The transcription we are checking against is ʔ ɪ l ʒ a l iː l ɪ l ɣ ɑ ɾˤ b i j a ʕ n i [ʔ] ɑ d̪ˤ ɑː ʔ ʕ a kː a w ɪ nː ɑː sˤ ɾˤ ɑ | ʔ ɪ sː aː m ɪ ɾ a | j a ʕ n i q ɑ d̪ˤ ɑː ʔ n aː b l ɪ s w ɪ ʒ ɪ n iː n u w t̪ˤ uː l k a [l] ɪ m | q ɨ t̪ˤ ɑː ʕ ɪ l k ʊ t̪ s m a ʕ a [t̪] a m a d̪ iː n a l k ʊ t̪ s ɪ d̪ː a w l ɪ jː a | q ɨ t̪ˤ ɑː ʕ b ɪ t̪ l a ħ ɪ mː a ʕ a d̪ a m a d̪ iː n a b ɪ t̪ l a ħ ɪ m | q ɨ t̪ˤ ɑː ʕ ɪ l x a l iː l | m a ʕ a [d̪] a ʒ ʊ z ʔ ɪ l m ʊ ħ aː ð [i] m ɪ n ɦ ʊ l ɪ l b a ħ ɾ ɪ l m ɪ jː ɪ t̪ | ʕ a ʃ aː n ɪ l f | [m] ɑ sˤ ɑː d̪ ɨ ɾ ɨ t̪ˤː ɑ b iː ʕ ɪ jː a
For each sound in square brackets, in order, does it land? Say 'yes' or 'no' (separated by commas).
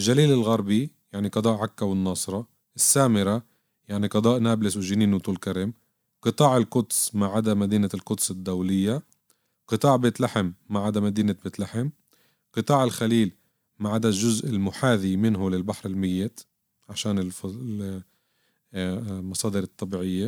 no, no, no, yes, yes, yes